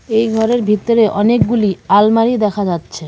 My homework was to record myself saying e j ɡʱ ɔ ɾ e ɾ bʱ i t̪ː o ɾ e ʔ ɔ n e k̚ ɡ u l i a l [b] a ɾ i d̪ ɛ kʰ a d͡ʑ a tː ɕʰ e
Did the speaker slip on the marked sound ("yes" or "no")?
yes